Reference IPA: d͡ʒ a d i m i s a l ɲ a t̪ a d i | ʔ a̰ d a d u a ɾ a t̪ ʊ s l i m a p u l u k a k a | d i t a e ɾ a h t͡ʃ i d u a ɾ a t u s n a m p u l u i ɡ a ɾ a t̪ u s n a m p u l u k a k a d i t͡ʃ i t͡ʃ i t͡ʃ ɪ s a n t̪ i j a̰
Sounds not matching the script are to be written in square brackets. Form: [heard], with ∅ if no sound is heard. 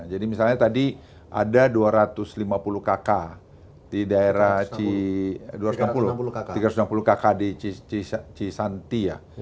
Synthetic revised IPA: d͡ʒ a d i m i s a l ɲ a t̪ a d i | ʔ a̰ d a d u a ɾ a t̪ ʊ s l i m a p u l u k a k a | d i [d] a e ɾ a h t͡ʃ i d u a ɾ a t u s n a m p u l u i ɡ a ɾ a t̪ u s n a m p u l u k a k a d i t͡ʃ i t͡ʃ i t͡ʃ [i] s a n t̪ i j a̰